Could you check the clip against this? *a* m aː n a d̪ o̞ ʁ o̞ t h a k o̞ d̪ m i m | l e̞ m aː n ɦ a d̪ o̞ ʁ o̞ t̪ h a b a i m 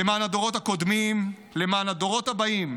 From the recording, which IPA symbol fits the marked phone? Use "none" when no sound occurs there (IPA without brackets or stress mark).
e